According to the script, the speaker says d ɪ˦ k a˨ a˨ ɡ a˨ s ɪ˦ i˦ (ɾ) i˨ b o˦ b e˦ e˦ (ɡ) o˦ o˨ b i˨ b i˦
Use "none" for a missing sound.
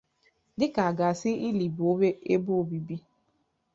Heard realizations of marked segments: l, b

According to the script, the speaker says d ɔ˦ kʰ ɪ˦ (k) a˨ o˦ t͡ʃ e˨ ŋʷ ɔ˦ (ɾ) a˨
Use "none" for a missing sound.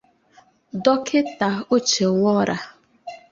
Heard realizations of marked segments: t, ɾ

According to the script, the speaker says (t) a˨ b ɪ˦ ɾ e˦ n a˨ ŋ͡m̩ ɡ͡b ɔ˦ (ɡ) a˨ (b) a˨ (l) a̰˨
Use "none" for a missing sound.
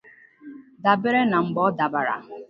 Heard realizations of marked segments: d, d, b, ɾ

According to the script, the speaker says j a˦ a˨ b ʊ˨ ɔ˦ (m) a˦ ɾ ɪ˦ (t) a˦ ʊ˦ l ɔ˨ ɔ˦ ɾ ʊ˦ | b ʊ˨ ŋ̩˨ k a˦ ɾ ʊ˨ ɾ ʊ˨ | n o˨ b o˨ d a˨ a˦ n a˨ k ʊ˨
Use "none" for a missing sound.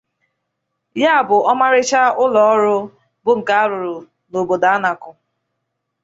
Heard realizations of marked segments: m, t͡ʃ

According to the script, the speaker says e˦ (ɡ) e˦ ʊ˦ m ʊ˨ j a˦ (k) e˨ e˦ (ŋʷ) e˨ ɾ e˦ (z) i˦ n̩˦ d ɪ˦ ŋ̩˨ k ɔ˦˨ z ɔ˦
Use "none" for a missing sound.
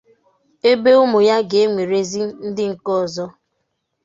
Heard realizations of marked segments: b, ɡ, ŋʷ, z

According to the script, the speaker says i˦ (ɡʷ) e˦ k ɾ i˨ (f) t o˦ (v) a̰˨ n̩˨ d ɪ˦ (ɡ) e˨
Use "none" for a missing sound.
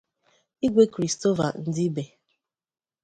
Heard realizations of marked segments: ɡʷ, s, v, b

